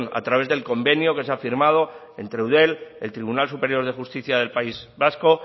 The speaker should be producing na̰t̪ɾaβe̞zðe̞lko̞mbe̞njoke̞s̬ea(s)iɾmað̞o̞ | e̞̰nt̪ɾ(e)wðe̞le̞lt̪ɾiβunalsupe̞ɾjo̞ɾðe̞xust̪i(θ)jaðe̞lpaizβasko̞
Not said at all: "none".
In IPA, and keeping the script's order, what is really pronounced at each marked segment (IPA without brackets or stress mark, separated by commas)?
f, e, θ